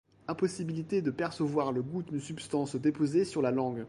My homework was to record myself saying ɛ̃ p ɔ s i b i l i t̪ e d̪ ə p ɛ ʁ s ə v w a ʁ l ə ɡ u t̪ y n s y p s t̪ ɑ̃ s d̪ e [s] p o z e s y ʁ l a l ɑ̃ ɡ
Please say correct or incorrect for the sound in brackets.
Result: incorrect